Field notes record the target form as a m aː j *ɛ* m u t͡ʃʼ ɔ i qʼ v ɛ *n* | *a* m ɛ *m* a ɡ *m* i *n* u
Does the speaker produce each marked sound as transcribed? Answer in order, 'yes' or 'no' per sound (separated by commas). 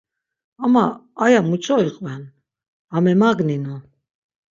no, yes, yes, yes, no, yes